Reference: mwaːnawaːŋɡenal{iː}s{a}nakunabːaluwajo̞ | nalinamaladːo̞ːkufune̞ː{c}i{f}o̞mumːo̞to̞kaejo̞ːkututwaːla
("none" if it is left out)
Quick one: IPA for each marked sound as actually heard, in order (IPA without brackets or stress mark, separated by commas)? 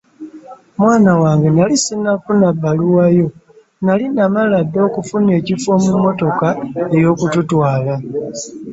i, i, c, f